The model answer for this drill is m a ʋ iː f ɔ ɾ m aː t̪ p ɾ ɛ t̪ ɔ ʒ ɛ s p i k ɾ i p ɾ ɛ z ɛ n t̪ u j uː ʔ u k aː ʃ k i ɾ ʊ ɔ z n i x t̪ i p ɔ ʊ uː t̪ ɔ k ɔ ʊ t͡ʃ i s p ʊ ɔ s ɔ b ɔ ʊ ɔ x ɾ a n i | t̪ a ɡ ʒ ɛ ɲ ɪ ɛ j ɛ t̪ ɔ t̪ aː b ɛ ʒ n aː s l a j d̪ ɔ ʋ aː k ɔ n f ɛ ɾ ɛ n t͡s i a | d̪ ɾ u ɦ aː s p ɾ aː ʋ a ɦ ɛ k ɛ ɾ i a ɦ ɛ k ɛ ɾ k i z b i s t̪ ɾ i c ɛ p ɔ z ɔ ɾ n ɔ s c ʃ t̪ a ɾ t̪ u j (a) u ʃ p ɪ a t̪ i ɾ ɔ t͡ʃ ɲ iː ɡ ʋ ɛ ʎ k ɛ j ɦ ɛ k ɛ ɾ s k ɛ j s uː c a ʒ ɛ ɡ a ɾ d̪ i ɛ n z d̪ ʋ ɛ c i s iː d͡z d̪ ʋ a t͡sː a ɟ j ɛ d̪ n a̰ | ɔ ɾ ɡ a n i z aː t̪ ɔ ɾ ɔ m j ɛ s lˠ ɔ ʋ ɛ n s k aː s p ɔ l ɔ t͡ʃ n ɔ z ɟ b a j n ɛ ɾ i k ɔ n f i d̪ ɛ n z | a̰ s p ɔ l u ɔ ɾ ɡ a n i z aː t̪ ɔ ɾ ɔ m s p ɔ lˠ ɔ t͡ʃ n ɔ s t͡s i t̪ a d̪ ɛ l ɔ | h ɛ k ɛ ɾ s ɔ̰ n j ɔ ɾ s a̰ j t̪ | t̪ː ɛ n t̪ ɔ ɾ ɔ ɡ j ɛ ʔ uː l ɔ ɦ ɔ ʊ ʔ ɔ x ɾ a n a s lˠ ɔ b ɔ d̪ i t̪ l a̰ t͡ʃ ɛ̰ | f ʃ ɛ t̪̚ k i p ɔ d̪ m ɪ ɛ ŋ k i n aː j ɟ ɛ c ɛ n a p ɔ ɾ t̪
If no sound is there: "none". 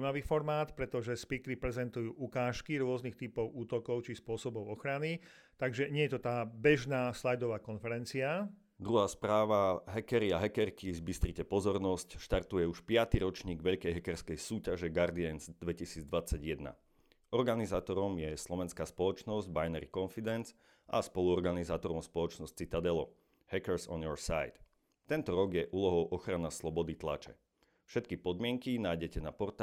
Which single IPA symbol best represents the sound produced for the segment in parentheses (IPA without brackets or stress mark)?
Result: ɛ